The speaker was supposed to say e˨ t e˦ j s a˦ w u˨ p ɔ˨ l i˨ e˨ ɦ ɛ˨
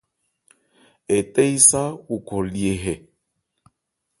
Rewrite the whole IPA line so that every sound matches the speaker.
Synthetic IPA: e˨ t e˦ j s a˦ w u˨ k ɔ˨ l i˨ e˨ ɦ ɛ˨

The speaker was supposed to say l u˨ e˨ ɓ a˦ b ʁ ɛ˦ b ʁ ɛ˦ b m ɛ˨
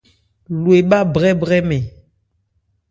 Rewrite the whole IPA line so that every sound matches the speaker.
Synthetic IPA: l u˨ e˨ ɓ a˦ b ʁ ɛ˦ b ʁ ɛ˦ m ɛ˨

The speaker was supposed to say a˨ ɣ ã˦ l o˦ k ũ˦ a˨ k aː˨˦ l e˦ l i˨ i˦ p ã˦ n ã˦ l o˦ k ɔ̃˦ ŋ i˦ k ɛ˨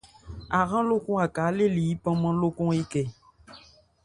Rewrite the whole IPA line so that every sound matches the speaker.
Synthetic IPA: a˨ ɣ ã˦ l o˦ k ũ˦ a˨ k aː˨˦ l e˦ l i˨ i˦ p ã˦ m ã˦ l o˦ k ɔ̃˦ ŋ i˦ k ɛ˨

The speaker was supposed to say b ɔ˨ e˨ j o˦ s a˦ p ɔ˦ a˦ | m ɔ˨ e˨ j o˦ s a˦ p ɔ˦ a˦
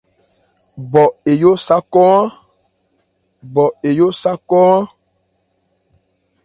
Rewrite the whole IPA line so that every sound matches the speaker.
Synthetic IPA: b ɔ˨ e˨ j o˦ s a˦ k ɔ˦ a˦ | b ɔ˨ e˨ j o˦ s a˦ k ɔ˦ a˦

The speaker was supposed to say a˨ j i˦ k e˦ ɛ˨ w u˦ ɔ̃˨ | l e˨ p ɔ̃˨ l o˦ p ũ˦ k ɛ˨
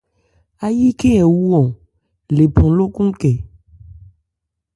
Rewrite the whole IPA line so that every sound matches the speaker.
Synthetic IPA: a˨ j i˦ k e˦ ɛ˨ w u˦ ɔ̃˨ | l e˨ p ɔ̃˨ l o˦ k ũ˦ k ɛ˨

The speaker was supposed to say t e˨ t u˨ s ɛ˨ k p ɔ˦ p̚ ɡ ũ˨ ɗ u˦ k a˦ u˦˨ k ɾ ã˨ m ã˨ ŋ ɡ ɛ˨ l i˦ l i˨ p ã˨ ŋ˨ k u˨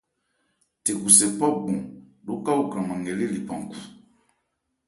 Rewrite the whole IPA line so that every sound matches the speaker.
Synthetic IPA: t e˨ k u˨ s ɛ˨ p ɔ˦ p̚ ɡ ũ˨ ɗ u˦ k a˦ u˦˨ k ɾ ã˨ m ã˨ ŋ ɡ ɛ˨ l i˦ l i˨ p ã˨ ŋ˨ k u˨

